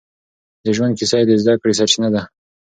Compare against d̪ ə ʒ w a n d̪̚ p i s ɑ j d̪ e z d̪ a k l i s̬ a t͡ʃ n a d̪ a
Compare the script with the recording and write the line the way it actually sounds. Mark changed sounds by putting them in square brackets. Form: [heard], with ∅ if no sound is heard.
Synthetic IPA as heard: d̪ ə ʒ w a n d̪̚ [k] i s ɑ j d̪ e z d̪ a k [ɽ] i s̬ a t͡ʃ n a d̪ a